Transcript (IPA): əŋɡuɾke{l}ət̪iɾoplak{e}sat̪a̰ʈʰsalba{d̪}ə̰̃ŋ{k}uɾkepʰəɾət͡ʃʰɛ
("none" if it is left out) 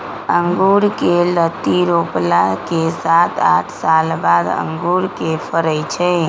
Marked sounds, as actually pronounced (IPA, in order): l, e, d̪, ɡ

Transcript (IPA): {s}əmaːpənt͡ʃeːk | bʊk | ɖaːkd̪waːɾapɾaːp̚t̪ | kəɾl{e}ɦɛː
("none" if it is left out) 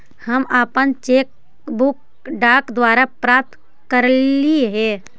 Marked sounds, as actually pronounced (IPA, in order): h, i

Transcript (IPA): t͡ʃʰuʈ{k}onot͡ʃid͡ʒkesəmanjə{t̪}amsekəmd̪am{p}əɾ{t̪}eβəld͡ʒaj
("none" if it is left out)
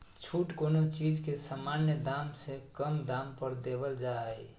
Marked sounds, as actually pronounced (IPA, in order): k, d̪, p, d̪

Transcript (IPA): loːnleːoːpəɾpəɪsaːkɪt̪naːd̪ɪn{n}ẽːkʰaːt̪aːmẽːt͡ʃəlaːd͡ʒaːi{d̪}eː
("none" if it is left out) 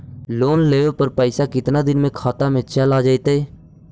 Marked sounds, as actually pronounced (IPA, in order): m, t̪

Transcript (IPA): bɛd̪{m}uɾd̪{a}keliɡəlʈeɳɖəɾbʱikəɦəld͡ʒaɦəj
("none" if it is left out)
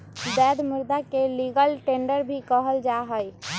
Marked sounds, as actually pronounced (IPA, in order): m, a

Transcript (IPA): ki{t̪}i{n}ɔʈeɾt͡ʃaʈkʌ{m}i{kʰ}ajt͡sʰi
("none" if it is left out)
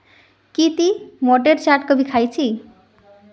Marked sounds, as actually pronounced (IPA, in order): t̪, m, b, kʰ

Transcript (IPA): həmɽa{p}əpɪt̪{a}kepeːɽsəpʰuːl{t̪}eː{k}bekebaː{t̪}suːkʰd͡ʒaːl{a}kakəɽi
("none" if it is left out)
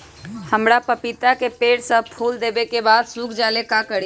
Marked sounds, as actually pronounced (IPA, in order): p, a, d̪, none, d̪, e

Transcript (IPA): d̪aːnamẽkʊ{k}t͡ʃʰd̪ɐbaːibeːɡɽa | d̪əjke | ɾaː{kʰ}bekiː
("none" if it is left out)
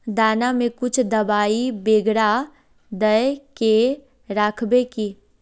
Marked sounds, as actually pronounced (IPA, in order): none, kʰ

